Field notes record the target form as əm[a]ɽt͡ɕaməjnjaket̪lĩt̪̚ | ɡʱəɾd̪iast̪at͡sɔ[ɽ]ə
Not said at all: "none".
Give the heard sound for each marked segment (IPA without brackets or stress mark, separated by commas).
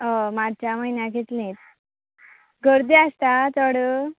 a, ɽ